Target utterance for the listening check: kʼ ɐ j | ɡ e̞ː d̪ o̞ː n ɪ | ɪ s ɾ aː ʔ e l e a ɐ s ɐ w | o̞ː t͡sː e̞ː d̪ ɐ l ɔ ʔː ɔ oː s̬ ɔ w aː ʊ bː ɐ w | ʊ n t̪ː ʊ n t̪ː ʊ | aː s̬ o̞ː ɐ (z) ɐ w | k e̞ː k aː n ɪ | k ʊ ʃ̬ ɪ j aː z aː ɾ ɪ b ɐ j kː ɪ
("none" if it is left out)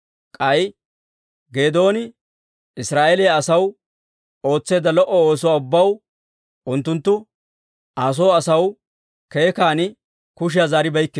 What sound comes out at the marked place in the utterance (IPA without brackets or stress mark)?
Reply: s